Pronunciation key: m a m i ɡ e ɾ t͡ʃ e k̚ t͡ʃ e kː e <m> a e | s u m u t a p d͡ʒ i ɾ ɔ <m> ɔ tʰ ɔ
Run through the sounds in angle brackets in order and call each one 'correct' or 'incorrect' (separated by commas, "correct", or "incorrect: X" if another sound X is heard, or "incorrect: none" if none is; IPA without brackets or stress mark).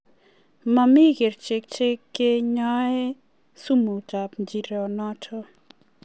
incorrect: ɲ, incorrect: n